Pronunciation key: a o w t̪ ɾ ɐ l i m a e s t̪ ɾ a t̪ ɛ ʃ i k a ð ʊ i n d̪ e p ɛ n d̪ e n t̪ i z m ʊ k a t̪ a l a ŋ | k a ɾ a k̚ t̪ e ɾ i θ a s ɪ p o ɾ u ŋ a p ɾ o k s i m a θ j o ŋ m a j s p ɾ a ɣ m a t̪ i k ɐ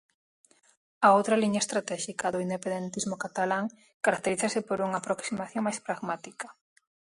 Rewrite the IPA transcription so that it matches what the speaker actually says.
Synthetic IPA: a o w t̪ ɾ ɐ l i ɲ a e s t̪ ɾ a t̪ ɛ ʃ i k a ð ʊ i n d̪ e p e n d̪ e n t̪ i z m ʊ k a t̪ a l a ŋ | k a ɾ a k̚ t̪ e ɾ i θ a s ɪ p o ɾ u ŋ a p ɾ o k s i m a θ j o ŋ m a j s p ɾ a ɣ m a t̪ i k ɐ

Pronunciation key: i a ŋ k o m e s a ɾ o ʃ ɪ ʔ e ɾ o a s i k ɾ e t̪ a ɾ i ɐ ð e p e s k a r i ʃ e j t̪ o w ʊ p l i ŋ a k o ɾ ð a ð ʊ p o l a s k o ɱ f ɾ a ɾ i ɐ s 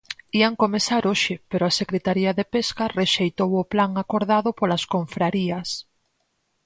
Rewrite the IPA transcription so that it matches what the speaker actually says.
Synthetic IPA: i a ŋ k o m e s a ɾ o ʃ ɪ p e ɾ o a s e k ɾ e t̪ a ɾ i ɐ ð e p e s k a r e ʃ e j t̪ o w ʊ p l a ŋ a k o ɾ ð a ð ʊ p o l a s k o ɱ f ɾ a ɾ i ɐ s

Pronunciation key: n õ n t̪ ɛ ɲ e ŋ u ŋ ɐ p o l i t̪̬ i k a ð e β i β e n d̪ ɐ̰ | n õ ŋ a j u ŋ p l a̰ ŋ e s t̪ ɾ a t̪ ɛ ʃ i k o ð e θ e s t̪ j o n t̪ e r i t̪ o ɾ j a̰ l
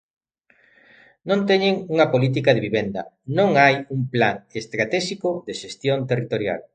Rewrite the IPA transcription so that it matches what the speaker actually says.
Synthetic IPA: n õ n t̪ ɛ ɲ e ŋ u ŋ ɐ p o l i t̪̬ i k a ð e β i β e n d̪ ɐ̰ | n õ ŋ a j u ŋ p l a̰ ŋ e s t̪ ɾ a t̪ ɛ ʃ i k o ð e ʃ e s t̪ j o n t̪ e r i t̪ o ɾ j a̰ l

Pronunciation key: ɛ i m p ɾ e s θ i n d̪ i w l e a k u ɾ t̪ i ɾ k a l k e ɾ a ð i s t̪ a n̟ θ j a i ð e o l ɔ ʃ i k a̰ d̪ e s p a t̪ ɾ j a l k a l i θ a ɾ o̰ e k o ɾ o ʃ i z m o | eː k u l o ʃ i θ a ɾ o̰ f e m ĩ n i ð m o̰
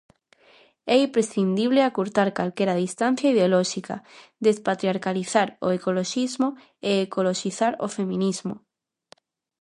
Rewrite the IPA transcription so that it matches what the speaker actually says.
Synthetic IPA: ɛ i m p ɾ e s θ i n d̪ i β l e a k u ɾ t̪ a ɾ k a l k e ɾ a ð i s t̪ a n̟ θ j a i ð e o l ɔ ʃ i k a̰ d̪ e s p a t̪ ɾ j a ɾ k a l i θ a ɾ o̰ e k o l o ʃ i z m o | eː k o l o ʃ i θ a ɾ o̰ f e m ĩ n i z m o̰

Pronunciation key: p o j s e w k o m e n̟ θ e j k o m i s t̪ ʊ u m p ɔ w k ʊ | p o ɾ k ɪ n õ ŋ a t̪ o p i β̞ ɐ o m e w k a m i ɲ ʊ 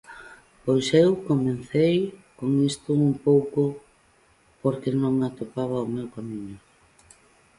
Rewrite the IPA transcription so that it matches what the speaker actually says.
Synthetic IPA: p o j s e w k o m e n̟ θ e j k o ŋ i s t̪ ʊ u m p o w k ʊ | p o ɾ k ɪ n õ ŋ a t̪ o p a β̞ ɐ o m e w k a m i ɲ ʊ

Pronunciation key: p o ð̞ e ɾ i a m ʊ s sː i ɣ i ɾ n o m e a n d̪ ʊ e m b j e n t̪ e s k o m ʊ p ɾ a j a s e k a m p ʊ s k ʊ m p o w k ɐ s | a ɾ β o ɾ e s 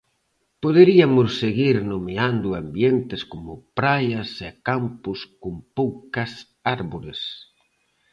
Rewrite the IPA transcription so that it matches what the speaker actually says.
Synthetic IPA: p o ð̞ e ɾ i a m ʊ s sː e ɣ i ɾ n o m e a n d̪ ʊ a m b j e n t̪ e s k o m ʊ p ɾ a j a s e k a m p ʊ s k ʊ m p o w k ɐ s | a ɾ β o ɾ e s

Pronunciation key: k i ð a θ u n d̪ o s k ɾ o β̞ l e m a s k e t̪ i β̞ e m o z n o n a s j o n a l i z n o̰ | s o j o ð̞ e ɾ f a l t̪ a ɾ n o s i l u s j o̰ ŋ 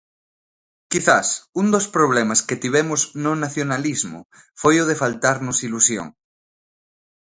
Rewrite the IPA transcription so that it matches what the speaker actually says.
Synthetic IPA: k i θ a s u n d̪ o s p ɾ o β̞ l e m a s k e t̪ i β̞ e m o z n o n a θ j o n a l i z m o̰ | f o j o ð̞ e f a l t̪ a ɾ n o s i l u s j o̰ ŋ

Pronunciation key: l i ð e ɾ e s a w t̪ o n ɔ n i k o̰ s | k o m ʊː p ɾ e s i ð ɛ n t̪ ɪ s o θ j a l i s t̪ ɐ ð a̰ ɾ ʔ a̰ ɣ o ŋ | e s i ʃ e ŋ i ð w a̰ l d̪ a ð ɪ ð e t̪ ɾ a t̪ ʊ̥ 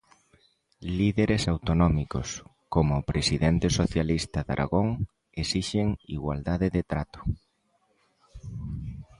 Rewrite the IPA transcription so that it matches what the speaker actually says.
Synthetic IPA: l i ð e ɾ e s a w t̪ o n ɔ m i k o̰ s | k o m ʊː p ɾ e s i ð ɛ n t̪ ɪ s o θ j a l i s t̪ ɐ ð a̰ ɾ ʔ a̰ ɣ o ŋ | e s i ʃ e ŋ i ɣ w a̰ l d̪ a ð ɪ ð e t̪ ɾ a t̪ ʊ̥

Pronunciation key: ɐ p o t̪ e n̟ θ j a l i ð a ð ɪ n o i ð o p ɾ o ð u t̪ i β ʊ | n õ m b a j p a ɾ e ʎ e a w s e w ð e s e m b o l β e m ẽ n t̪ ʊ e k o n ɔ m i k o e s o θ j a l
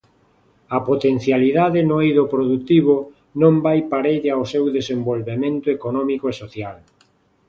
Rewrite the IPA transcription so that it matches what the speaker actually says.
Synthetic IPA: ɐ p o t̪ e n̟ θ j a l i ð a ð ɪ n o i ð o p ɾ o ð u t̪ i β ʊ | n õ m b a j p a ɾ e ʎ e a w s e w ð e s e m b o l β e m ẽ n t̪ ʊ e k o n ɔ m i k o e s o θ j a l

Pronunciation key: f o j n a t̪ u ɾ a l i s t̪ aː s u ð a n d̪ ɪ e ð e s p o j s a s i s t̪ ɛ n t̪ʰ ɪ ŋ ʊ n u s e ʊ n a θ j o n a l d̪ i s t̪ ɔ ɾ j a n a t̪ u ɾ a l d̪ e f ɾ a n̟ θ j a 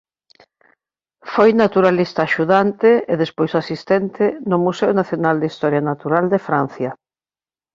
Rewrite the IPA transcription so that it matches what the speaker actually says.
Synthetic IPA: f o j n a t̪ u ɾ a l i s t̪ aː ʃ u ð a n t̪ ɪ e ð e s p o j s a s i s t̪ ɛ n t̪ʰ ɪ n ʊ m u s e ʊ n a θ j o n a l d̪ i s t̪ ɔ ɾ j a n a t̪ u ɾ a l d̪ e f ɾ a n̟ θ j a

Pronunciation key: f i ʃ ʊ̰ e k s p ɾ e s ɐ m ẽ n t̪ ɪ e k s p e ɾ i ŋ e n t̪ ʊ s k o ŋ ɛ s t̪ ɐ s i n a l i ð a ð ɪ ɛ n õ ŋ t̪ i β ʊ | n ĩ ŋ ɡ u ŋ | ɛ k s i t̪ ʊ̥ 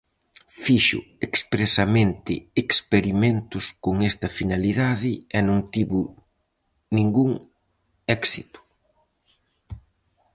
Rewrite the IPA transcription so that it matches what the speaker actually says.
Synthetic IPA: f i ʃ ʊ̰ e k s p ɾ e s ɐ m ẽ n t̪ ɪ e k s p e ɾ i m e n t̪ ʊ s k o ŋ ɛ s t̪ ɐ f i n a l i ð a ð ɪ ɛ n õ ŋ t̪ i β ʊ | n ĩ ŋ ɡ u ŋ | ɛ k s i t̪ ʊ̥

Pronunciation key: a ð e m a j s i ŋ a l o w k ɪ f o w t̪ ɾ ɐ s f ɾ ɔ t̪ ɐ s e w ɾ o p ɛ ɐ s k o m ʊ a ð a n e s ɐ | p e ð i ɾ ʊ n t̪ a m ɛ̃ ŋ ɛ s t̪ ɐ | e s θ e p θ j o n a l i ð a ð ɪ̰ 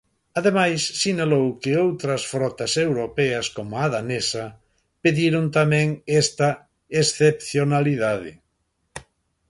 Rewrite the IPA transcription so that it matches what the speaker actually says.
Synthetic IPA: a ð e m a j sː i n a l o w k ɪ o w t̪ ɾ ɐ s f ɾ ɔ t̪ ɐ s e w ɾ o p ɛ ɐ s k o m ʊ a ð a n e s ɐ | p e ð i ɾ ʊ n t̪ a m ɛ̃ ŋ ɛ s t̪ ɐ | e s θ e p θ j o n a l i ð a ð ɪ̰

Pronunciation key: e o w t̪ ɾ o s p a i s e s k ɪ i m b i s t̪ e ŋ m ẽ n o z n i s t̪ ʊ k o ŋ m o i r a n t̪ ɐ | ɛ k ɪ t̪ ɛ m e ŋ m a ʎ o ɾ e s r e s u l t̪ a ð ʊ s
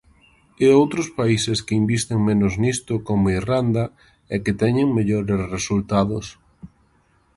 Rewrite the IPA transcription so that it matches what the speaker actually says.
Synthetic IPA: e o w t̪ ɾ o s p a i s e s k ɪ i m b i s t̪ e ŋ m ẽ n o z n i s t̪ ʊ k o m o i r a n d̪ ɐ | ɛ k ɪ t̪ ɛ ɲ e ŋ m e ʎ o ɾ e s r e s u l t̪ a ð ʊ s

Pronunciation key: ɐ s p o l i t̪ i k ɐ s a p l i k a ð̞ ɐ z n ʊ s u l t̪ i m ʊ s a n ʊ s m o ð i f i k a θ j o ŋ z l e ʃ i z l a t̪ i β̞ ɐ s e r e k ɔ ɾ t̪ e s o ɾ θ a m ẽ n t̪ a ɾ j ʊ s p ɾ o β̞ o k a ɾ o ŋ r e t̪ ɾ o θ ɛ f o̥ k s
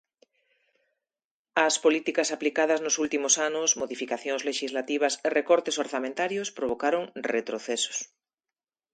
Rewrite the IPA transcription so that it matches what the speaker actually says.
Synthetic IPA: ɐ s p o l i t̪ i k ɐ s a p l i k a ð̞ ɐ z n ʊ s u l t̪ i m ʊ s a n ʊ s m o ð i f i k a θ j o ŋ z l e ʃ i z l a t̪ i β̞ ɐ s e r e k ɔ ɾ t̪ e s o ɾ θ a m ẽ n t̪ a ɾ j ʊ s p ɾ o β̞ o k a ɾ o ŋ r e t̪ ɾ o θ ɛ s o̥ s

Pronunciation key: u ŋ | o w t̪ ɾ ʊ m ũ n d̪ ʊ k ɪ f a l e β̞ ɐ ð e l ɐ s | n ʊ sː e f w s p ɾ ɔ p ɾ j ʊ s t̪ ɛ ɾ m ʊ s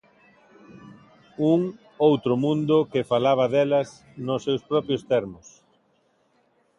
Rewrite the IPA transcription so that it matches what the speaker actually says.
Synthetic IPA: u ŋ | o w t̪ ɾ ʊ m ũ n d̪ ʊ k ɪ f a l a β̞ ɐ ð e l ɐ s | n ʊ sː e w s p ɾ ɔ p ɾ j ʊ s t̪ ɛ ɾ m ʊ s

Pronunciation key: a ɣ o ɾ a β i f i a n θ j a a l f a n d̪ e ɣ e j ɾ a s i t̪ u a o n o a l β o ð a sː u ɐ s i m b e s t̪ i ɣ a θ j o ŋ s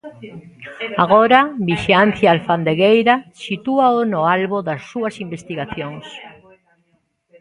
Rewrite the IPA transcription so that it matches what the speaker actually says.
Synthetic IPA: a ɣ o ɾ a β i ʃ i a n θ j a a l f a n d̪ e ɣ e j ɾ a s i t̪ u a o n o a l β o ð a sː u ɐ s i m b e s t̪ i ɣ a θ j o ŋ s

